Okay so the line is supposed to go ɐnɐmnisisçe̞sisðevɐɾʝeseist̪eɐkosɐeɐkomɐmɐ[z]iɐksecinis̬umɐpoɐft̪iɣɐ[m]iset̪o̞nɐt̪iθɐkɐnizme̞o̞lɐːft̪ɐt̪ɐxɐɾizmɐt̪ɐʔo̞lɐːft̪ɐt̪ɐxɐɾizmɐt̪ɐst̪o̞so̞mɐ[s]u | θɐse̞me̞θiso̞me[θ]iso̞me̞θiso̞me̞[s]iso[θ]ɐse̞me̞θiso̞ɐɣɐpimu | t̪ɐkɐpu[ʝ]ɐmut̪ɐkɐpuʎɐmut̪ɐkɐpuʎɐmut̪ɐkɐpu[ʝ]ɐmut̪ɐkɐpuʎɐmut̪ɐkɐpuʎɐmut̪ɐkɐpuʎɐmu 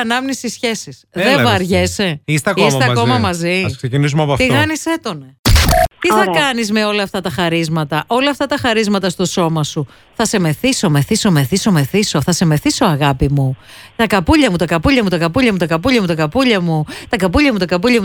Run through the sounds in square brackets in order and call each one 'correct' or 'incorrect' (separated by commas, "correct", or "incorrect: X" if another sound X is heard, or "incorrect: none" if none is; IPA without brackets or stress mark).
correct, incorrect: n, correct, correct, incorrect: θ, correct, incorrect: ʎ, incorrect: ʎ